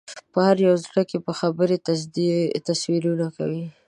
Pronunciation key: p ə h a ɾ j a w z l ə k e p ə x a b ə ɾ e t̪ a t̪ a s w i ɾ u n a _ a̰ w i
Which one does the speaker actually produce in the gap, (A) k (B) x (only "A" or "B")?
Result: A